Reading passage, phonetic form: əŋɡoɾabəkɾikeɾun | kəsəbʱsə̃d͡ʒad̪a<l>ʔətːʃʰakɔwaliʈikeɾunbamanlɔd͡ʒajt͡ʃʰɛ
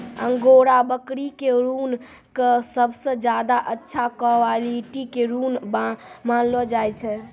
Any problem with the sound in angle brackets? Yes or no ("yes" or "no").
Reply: yes